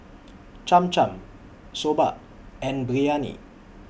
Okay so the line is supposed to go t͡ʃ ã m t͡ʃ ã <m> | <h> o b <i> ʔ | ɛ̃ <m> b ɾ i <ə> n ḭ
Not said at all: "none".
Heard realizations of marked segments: m, s, a, n, a

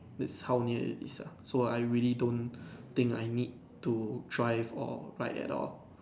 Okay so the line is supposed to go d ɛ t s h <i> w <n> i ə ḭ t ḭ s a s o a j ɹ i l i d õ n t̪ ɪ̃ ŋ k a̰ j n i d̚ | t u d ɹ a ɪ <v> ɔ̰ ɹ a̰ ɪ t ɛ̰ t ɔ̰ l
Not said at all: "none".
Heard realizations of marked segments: a, n, v

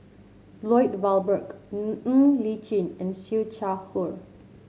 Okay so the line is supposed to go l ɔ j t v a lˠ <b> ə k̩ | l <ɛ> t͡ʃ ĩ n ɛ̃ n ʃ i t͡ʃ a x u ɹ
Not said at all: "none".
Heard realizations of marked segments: b, i

